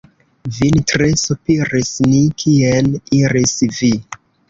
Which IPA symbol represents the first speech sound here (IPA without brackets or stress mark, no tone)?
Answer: v